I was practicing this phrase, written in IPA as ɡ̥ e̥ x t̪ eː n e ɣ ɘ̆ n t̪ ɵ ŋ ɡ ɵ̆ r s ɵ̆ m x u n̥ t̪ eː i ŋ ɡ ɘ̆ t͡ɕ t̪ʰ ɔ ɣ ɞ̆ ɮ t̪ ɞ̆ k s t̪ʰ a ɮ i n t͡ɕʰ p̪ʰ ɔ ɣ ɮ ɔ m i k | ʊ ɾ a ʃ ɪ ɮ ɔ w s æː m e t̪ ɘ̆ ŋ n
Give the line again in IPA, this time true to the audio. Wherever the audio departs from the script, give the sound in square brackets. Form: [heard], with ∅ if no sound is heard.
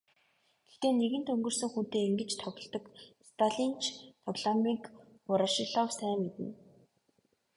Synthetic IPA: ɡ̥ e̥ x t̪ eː n e ɣ ɘ̆ n t̪ ɵ ŋ ɡ ɵ̆ r s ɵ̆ [ŋ] x u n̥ t̪ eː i ŋ ɡ ɘ̆ t͡ɕ t̪ʰ ɔ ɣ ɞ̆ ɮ t̪ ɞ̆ k s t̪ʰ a ɮ i n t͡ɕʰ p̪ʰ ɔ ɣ ɮ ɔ m i k | ʊ ɾ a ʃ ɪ ɮ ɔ w s æː m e t̪ ɘ̆ [∅] n